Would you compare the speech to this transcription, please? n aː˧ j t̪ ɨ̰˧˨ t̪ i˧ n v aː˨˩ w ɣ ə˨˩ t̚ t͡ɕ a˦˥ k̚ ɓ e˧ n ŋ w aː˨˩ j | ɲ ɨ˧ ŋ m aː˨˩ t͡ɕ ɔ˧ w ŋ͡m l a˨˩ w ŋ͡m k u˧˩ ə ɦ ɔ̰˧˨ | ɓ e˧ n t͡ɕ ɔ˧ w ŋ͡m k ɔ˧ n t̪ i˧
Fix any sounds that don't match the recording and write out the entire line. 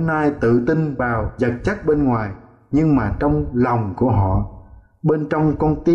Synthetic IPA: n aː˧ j t̪ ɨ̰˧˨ t̪ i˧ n v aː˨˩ w z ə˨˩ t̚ t͡ɕ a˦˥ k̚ ɓ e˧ n ŋ w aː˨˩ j | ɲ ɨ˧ ŋ m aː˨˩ t͡ɕ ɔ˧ w ŋ͡m l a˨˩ w ŋ͡m k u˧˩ ə ɦ ɔ̰˧˨ | ɓ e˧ n t͡ɕ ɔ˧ w ŋ͡m k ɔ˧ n t̪ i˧